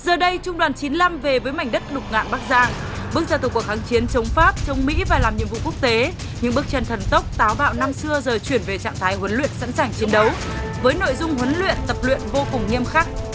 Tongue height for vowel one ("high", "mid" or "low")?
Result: mid